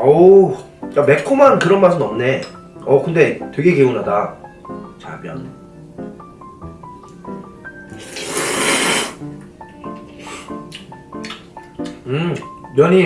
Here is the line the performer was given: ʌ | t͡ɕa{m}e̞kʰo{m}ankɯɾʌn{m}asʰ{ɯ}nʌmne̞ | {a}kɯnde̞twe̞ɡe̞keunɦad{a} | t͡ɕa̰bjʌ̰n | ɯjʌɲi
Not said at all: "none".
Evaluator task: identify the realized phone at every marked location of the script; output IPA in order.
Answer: m, m, m, ɯ, ʌ, a

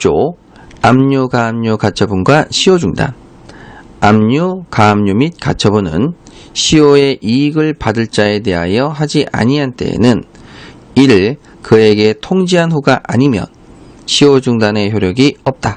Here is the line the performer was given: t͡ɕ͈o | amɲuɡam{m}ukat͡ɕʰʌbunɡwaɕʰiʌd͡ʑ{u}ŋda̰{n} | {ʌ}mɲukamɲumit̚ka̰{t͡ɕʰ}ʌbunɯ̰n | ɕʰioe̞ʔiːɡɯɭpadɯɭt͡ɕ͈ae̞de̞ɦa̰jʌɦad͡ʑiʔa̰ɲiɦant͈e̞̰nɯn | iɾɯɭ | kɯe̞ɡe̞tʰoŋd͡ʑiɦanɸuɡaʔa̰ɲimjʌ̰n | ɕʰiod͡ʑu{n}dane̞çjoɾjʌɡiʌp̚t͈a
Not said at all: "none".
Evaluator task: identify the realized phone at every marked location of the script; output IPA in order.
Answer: ɲ, u, n, a, t͡ɕʰ, ŋ

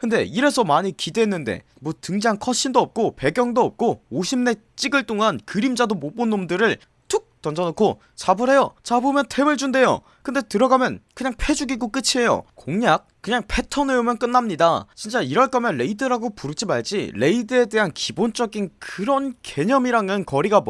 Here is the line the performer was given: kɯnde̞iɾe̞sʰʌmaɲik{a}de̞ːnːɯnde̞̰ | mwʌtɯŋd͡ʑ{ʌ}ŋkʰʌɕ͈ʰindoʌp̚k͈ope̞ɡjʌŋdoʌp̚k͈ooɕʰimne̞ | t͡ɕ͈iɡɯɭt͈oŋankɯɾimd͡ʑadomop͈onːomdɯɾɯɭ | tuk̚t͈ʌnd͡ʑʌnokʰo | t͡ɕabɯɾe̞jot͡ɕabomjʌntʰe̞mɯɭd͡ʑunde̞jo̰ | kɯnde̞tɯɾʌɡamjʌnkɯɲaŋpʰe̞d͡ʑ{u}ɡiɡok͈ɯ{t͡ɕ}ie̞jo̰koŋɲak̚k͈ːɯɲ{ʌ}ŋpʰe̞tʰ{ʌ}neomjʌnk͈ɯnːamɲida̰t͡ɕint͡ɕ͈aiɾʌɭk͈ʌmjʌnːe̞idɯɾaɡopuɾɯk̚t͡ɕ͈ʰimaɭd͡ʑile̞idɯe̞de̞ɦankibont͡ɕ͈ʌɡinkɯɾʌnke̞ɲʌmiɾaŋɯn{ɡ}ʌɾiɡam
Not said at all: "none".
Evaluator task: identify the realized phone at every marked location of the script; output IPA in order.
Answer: i, a, u, t͡ɕʰ, a, ʌ, k

